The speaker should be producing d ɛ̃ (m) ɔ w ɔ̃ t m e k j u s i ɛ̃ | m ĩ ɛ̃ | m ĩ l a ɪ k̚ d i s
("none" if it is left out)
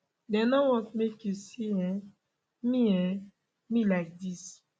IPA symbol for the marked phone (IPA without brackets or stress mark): n